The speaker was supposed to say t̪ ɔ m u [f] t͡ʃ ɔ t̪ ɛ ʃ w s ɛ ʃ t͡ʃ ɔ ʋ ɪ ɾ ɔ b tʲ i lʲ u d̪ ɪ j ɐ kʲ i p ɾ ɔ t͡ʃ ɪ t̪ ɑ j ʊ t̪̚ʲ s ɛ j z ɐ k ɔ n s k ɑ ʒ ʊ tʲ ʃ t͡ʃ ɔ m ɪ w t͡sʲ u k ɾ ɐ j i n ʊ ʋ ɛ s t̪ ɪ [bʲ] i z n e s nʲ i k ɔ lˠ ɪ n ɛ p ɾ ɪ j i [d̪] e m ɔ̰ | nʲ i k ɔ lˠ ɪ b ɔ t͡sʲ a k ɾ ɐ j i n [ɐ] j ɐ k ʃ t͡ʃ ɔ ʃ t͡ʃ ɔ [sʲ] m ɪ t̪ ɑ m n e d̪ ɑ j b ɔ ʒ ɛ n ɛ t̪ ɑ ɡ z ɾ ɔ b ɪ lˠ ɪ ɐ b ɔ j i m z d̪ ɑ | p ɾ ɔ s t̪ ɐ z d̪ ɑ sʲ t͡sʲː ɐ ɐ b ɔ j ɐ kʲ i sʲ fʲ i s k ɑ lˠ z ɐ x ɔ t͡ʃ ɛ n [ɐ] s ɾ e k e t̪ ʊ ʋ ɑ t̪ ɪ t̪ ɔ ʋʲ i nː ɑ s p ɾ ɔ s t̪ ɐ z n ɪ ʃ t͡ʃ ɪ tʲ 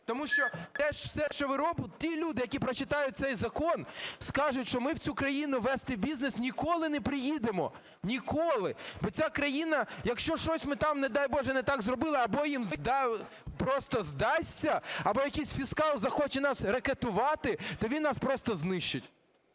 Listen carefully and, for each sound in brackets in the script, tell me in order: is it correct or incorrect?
incorrect: ʃ, correct, correct, correct, correct, incorrect: ɑ

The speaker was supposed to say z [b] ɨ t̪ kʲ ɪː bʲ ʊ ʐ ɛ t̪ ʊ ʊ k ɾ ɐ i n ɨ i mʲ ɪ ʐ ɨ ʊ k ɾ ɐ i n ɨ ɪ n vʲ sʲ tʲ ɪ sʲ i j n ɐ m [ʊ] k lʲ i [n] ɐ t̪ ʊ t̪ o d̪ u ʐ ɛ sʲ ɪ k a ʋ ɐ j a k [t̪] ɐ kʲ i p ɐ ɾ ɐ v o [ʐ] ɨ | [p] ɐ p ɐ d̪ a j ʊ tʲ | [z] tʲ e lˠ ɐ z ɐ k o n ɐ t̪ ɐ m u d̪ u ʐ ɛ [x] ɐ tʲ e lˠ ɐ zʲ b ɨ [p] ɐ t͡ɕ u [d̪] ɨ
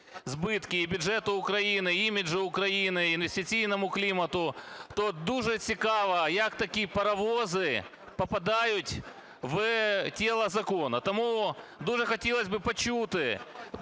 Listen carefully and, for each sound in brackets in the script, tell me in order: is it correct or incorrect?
correct, correct, incorrect: m, correct, incorrect: z, correct, incorrect: v, correct, correct, incorrect: t̪

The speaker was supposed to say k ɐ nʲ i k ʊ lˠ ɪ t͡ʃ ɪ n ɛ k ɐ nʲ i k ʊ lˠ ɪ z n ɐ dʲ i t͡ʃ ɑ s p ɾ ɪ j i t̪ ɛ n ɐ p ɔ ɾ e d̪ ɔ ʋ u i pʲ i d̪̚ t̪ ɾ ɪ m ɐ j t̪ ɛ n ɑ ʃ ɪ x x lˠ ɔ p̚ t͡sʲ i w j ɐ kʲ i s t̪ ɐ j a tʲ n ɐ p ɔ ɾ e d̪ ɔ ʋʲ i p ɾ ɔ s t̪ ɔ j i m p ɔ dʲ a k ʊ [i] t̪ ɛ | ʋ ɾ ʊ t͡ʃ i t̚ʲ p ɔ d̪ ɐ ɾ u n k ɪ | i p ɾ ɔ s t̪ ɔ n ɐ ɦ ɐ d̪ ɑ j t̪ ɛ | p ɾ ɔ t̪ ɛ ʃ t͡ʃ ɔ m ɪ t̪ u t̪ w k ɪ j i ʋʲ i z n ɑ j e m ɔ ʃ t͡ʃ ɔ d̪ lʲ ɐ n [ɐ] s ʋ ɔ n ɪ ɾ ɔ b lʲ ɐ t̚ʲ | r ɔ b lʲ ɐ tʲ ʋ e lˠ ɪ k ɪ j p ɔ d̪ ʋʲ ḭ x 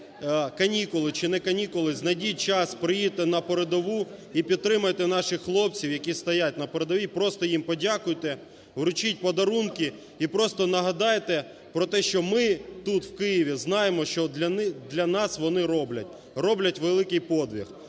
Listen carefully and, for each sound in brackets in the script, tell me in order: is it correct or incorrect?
incorrect: j, incorrect: ɑ

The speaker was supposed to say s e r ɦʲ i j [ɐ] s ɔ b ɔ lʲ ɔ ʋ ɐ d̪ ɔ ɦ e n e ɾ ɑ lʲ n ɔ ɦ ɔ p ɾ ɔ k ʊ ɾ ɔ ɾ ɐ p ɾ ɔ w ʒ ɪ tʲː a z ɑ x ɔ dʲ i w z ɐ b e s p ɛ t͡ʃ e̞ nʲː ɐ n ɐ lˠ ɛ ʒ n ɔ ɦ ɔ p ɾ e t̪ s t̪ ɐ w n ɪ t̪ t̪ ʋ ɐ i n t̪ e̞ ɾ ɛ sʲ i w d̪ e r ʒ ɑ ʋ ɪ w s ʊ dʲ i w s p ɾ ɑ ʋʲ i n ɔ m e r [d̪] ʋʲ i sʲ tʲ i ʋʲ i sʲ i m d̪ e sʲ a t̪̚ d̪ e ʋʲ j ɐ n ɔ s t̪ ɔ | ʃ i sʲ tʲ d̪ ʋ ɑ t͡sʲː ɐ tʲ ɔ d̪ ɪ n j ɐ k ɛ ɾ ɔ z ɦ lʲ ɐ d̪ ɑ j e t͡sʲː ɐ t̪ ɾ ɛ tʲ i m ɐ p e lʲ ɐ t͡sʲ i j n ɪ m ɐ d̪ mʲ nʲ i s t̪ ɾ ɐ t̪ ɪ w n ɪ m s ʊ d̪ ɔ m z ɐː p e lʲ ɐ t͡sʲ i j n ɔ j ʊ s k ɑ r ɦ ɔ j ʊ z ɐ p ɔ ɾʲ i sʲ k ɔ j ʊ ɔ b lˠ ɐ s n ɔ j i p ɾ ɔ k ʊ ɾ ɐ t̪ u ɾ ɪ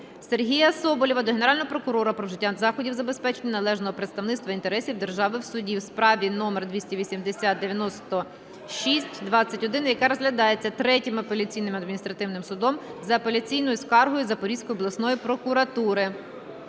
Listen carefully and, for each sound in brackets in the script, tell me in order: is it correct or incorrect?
correct, correct

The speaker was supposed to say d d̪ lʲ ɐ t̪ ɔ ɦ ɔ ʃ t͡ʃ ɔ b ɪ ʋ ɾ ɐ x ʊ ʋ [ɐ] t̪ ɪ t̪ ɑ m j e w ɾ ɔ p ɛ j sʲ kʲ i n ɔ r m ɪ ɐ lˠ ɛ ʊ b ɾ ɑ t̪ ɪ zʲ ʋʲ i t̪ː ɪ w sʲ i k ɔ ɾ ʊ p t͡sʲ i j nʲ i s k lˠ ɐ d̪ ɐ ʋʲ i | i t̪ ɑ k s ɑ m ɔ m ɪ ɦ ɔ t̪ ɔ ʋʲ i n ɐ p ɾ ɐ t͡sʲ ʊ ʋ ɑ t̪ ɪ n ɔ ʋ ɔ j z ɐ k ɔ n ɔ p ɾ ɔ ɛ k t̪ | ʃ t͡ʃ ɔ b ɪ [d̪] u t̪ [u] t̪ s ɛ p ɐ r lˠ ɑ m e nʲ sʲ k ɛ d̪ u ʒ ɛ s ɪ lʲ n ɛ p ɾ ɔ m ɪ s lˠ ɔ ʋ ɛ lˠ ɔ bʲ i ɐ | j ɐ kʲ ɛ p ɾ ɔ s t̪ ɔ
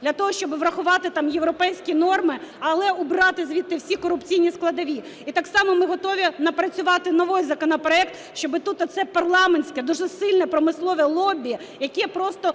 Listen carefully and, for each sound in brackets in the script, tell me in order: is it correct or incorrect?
incorrect: ɑ, incorrect: t̪, incorrect: ɔ

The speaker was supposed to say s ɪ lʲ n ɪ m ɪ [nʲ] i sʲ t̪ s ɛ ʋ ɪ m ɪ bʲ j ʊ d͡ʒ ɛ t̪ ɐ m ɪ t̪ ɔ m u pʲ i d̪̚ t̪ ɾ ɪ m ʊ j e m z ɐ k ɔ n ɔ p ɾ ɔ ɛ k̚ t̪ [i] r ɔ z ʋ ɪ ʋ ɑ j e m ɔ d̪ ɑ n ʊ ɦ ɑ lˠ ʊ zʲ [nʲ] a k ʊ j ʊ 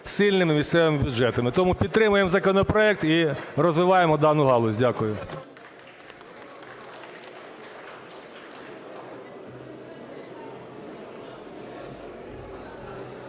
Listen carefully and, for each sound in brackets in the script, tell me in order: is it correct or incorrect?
incorrect: mʲ, correct, incorrect: dʲ

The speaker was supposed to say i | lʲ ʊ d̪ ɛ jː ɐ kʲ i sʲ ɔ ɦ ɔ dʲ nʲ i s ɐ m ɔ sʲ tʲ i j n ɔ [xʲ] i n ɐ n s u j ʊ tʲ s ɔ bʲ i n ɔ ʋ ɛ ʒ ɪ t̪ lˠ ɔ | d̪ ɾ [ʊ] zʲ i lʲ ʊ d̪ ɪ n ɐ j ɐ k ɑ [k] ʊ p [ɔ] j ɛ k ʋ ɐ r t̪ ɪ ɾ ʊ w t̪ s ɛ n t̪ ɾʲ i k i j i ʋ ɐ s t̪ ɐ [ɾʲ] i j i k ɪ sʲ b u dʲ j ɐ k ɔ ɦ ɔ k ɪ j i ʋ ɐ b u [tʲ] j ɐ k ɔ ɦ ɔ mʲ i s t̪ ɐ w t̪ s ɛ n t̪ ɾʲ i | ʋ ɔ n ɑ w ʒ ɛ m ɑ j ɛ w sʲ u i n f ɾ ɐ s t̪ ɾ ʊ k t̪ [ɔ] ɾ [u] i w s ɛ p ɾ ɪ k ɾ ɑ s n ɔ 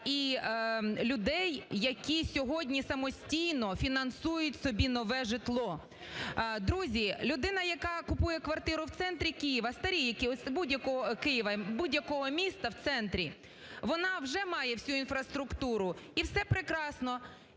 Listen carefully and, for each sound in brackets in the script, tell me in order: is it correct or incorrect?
incorrect: fʲ, incorrect: u, correct, incorrect: u, correct, incorrect: dʲ, incorrect: u, incorrect: ʊ

